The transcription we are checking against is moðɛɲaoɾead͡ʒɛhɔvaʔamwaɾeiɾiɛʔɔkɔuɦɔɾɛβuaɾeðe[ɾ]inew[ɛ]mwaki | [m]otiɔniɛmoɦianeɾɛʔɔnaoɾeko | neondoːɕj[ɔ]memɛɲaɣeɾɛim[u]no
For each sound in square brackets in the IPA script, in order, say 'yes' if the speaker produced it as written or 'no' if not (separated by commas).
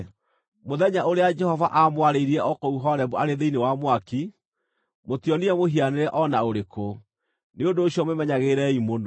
no, no, yes, yes, no